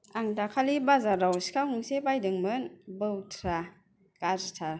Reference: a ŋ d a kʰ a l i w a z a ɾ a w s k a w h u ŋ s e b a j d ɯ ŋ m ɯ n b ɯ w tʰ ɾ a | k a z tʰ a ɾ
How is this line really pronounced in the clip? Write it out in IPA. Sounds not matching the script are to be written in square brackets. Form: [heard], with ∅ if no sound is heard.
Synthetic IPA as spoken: a ŋ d a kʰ a l i [b] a z a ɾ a w s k a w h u ŋ s e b a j d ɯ ŋ m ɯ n b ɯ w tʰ ɾ a | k a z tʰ a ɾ